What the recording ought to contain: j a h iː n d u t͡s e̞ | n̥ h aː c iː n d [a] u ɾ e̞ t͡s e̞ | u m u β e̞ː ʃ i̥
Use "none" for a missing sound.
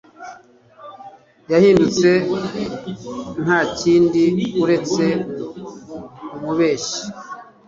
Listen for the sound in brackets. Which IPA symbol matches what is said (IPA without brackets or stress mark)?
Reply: i